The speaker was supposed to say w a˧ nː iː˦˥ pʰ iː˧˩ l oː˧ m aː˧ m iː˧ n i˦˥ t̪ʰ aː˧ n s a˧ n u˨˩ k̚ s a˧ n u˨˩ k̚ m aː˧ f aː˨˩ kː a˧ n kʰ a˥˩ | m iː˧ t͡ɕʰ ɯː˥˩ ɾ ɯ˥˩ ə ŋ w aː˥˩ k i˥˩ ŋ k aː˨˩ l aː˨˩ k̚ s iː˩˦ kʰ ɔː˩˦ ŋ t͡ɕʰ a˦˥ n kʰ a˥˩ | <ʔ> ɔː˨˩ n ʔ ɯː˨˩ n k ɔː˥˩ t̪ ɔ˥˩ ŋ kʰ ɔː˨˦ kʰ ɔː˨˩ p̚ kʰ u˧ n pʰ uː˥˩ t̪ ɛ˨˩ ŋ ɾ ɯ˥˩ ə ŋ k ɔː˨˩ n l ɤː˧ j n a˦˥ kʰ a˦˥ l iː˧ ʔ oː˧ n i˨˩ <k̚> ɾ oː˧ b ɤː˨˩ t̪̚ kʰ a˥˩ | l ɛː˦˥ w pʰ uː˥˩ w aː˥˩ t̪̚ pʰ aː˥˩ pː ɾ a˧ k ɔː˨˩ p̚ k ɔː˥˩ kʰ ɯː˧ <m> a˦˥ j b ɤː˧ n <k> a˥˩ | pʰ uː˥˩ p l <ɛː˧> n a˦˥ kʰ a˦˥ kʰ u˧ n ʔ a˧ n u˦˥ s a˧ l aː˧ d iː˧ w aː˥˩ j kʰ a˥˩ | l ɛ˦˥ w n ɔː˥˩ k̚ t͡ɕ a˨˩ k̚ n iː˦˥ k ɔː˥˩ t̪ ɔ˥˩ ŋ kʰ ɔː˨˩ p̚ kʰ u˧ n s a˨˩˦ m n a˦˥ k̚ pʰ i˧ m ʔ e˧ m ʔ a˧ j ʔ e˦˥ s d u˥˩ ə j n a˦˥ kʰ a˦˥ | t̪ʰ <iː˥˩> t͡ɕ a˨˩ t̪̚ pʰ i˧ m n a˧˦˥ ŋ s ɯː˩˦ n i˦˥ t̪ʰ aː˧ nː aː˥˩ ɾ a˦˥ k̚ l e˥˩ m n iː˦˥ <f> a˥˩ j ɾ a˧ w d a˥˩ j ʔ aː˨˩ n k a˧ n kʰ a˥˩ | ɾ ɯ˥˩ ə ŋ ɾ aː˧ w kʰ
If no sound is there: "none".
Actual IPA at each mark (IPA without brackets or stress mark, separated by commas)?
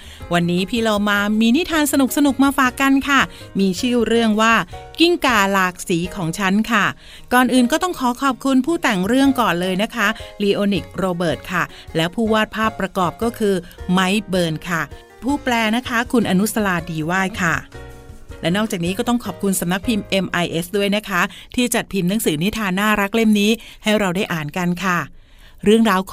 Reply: k, k̚, m, kʰ, ɛː˧, iː˥˩, h